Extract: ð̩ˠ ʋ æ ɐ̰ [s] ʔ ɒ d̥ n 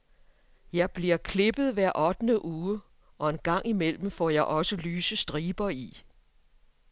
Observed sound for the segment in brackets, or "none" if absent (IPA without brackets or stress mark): none